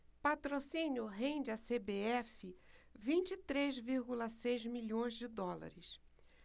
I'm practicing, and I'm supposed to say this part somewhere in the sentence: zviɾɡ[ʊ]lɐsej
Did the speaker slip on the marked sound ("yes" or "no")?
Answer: yes